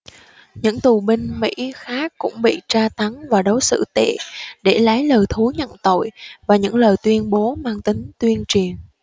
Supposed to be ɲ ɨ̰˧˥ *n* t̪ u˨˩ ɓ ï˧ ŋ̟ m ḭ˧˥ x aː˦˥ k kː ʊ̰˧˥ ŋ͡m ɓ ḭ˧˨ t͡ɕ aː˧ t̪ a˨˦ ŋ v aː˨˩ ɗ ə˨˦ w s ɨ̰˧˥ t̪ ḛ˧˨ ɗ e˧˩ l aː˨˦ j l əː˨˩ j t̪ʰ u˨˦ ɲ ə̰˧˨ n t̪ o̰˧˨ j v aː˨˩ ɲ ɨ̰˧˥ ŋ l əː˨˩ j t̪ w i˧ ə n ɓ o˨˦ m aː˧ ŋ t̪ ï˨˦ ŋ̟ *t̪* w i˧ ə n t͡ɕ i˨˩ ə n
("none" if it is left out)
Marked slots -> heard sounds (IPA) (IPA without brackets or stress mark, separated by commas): ŋ, t̪